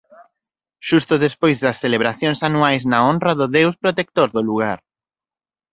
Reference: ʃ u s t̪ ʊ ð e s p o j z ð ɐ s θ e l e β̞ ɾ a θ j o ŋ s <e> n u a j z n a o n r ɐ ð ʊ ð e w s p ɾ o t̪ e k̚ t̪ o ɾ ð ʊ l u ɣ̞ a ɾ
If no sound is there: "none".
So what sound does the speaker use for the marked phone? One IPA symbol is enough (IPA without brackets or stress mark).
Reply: a